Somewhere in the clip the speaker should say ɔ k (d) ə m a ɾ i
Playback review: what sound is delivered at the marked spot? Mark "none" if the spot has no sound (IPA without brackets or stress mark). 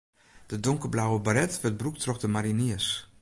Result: d